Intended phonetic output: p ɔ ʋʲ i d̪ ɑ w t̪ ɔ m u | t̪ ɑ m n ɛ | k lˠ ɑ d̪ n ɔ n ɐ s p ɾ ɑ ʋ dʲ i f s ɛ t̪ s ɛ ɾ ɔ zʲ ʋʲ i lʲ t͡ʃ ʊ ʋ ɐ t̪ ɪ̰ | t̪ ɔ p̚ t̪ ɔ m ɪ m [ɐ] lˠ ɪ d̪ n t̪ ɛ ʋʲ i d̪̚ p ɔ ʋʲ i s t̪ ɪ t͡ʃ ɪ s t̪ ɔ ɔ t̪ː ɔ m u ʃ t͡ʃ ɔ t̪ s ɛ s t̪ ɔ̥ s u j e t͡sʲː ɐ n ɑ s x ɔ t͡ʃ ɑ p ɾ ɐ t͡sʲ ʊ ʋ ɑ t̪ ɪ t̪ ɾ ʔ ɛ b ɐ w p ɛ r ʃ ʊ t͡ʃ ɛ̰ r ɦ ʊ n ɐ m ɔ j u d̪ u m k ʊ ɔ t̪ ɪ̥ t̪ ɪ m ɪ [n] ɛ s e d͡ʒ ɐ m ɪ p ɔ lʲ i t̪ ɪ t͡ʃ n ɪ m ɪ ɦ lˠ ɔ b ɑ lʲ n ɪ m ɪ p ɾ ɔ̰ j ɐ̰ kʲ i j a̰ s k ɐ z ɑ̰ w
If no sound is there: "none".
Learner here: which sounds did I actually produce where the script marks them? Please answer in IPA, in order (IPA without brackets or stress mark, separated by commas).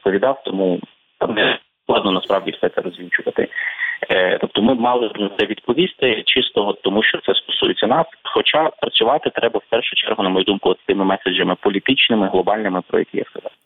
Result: ɑ, m